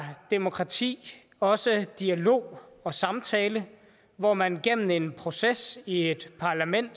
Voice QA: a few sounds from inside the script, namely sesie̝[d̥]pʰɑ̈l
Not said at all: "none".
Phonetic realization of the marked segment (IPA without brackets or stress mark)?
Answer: d̥